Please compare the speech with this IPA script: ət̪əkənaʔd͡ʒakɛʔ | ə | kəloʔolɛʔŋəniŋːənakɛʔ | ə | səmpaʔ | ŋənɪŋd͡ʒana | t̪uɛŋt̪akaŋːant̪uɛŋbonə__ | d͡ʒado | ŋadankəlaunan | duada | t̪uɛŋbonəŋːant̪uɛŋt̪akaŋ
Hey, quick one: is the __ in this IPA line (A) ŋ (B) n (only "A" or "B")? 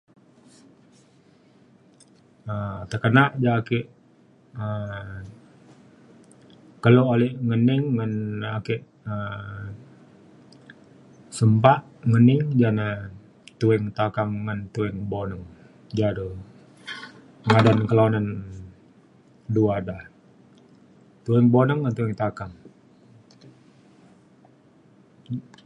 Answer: A